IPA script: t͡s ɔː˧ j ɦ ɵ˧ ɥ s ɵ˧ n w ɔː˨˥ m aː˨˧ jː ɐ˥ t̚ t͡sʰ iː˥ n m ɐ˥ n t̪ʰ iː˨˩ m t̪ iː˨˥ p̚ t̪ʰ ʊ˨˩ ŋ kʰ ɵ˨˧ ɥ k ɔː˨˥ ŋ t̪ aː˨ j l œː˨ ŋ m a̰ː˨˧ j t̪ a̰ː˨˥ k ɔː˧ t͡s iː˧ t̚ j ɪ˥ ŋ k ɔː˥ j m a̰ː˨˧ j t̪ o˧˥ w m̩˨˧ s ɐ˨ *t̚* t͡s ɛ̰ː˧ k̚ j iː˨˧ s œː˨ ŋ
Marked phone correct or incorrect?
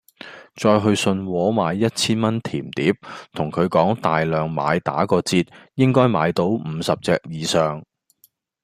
incorrect